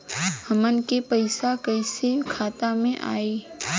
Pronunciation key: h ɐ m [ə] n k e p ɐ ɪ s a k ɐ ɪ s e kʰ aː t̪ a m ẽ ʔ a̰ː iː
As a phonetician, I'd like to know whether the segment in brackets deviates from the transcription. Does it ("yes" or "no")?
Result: no